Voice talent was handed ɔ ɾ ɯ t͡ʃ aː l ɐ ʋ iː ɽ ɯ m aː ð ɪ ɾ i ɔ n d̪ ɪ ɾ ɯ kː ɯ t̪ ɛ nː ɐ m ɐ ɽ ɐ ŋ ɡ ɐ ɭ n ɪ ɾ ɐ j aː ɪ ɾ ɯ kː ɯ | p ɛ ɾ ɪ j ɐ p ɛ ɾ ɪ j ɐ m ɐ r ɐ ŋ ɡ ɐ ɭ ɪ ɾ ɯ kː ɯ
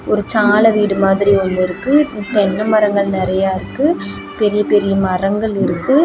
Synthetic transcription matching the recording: ɔ ɾ ɯ t͡ʃ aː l ɐ ʋ iː ɽ ɯ m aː ð ɪ ɾ i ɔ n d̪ ɪ ɾ ɯ kː ɯ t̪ ɛ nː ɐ m ɐ ɾ ɐ ŋ ɡ ɐ ɭ n ɪ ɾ ɐ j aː ɪ ɾ ɯ kː ɯ | p ɛ ɾ ɪ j ɐ p ɛ ɾ ɪ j ɐ m ɐ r ɐ ŋ ɡ ɐ ɭ ɪ ɾ ɯ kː ɯ

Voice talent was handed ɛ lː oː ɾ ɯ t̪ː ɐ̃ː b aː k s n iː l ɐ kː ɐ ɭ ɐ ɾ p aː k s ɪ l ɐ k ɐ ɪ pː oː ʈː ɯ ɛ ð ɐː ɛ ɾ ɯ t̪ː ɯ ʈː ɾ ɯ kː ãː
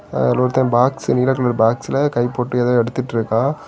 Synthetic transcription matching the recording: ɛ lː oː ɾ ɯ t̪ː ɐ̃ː b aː k s n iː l ɐ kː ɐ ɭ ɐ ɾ b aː k s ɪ l ɐ k ɐ ɪ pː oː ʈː ɯ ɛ ð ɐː ɛ ɽ ɯ t̪ː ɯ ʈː ɾ ɯ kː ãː

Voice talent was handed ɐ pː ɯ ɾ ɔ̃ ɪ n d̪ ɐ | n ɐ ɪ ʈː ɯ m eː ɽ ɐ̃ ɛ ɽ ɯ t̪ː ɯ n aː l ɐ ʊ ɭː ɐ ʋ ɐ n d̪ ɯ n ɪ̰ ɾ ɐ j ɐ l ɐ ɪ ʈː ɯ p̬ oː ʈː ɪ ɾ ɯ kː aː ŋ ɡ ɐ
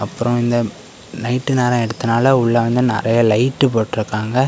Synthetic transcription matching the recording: ɐ pː ɯ ɾ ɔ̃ ɪ n d̪ ɐ | n ɐ ɪ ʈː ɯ n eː ɾ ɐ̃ ɛ ɽ ɯ t̪ː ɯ n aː l ɐ ʊ ɭː ɐ ʋ ɐ n d̪ ɯ n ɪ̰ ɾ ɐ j ɐ l ɐ ɪ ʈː ɯ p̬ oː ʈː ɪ ɾ ɯ kː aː ŋ ɡ ɐ

